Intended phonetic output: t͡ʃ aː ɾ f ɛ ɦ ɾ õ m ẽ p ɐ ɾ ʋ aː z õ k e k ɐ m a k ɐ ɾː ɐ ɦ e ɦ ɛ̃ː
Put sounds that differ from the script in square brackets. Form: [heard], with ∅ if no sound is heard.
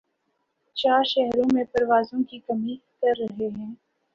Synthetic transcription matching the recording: t͡ʃ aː ɾ [ʃ] ɛ ɦ ɾ õ m ẽ p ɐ ɾ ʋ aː z õ k [i] k ɐ m [i] k ɐ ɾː ɐ ɦ e ɦ ɛ̃ː